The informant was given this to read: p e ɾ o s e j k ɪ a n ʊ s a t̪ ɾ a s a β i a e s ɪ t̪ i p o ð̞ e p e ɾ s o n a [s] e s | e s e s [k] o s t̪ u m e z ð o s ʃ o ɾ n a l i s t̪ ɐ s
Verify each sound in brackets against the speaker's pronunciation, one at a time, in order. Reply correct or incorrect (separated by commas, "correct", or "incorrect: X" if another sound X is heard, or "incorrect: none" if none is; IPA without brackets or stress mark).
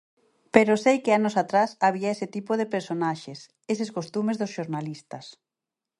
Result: incorrect: ʃ, correct